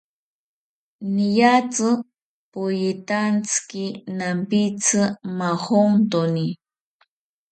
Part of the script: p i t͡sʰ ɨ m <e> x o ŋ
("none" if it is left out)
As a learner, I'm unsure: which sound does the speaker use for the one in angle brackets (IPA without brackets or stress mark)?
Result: a